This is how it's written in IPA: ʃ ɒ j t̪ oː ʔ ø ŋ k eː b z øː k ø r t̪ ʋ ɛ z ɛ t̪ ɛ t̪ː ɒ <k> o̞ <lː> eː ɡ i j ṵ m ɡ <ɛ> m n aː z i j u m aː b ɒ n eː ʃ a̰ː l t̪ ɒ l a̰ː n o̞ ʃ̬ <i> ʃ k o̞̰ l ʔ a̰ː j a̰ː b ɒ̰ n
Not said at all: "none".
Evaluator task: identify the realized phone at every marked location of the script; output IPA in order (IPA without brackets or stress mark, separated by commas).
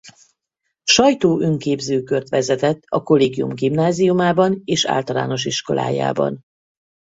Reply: k, l, i, i